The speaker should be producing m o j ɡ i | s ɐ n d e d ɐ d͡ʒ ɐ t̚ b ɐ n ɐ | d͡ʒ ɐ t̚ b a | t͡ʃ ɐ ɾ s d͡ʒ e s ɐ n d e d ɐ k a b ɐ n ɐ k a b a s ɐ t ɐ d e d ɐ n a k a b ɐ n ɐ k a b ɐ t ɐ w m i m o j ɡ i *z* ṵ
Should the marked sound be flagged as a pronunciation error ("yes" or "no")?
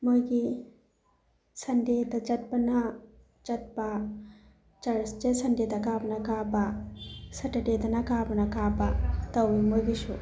yes